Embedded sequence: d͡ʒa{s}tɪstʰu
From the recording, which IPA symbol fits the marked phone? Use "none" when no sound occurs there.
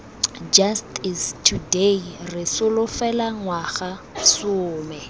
s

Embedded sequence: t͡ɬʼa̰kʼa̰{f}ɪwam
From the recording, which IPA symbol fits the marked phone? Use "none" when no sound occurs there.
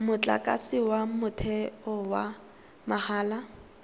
s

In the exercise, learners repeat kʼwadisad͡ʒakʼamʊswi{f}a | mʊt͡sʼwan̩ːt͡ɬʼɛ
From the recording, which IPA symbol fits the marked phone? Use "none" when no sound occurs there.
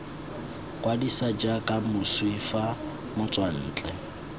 f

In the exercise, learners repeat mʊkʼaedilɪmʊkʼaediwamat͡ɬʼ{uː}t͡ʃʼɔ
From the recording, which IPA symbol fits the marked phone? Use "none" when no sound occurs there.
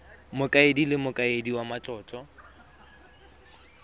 ɔː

